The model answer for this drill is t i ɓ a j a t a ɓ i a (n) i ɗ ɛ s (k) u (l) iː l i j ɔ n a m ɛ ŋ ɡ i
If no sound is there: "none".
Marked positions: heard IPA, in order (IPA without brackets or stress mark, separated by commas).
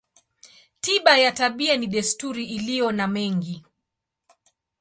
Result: n, t, ɾ